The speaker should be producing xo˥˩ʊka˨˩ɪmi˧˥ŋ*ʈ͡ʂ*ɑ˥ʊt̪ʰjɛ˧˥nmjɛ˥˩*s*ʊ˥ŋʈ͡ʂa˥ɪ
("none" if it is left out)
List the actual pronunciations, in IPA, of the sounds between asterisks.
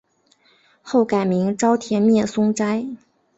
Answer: ʈ͡ʂ, s

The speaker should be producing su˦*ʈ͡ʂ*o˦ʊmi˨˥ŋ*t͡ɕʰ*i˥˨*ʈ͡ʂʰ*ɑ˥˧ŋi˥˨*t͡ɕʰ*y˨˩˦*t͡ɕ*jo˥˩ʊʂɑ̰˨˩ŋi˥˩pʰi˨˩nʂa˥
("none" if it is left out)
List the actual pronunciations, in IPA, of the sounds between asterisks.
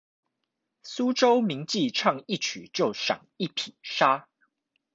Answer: ʈ͡ʂ, t͡ɕ, ʈ͡ʂʰ, t͡ɕʰ, t͡ɕ

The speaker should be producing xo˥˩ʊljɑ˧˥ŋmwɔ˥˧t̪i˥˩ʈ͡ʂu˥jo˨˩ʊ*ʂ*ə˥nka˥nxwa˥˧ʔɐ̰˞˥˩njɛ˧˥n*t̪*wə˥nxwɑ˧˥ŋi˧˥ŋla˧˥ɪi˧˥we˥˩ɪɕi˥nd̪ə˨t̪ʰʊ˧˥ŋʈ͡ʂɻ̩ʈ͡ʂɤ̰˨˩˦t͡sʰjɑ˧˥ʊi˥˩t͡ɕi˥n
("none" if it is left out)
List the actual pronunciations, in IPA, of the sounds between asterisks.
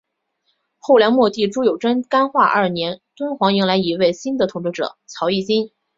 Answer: ʈ͡ʂ, t̪

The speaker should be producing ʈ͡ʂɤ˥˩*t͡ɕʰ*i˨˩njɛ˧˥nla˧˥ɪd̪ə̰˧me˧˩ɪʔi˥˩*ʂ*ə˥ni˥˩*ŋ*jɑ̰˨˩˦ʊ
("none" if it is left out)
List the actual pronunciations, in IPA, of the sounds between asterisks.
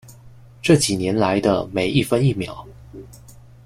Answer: t͡ɕ, f, m

